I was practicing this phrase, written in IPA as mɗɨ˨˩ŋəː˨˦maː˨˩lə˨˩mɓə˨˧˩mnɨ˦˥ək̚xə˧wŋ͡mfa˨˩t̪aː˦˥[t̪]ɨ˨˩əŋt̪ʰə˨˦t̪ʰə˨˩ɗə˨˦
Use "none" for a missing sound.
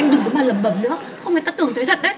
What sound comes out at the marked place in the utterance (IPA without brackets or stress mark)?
t̪